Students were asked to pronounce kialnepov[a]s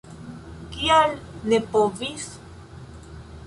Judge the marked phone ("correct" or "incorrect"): incorrect